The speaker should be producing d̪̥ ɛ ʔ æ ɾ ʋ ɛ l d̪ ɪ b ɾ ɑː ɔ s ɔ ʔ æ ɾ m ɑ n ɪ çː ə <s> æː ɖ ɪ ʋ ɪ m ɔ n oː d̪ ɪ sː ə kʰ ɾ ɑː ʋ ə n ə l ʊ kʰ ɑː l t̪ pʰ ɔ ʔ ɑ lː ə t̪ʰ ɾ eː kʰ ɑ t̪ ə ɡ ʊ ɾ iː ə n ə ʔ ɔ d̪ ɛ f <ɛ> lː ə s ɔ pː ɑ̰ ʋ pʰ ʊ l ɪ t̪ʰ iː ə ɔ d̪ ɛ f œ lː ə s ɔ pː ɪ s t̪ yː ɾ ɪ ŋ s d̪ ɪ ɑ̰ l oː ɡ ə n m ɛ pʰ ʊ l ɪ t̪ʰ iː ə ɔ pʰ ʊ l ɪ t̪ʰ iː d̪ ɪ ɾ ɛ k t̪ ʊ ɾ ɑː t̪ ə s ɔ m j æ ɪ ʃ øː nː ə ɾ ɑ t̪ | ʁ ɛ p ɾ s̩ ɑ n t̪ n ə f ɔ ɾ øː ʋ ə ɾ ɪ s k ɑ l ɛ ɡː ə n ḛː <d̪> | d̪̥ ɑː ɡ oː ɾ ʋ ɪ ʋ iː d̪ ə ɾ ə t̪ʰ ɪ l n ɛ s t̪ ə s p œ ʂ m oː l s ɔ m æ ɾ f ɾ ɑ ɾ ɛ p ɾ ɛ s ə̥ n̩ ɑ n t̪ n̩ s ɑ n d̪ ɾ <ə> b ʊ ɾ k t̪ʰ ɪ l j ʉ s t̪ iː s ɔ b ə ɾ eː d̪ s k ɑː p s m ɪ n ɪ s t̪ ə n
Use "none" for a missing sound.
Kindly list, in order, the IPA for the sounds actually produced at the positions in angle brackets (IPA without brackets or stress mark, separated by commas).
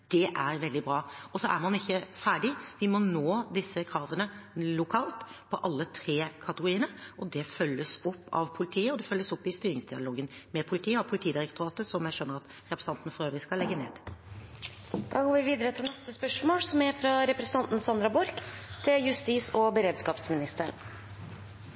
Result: f, œ, d̪, ɑ